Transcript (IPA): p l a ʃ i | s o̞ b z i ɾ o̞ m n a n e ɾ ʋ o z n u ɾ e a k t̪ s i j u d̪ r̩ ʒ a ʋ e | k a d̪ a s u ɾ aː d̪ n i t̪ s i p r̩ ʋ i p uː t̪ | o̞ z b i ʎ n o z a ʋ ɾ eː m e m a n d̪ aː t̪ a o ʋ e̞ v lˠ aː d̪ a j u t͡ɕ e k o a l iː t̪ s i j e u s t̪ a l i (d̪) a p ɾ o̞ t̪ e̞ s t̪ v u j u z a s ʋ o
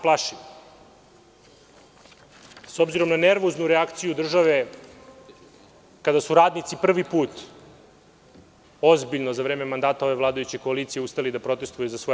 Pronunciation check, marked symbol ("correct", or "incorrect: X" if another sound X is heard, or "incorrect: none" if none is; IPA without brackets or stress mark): correct